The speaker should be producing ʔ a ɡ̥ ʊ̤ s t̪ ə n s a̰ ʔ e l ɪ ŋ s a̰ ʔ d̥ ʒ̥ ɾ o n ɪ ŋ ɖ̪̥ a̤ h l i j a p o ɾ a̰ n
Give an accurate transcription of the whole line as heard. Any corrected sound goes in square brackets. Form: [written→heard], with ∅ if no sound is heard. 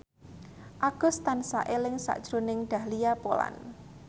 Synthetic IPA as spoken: ʔ a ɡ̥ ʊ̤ s t̪ [ə→a] n s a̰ ʔ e l ɪ ŋ s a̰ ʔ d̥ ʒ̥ ɾ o n ɪ ŋ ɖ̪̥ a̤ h l i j a p o [ɾ→l] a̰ n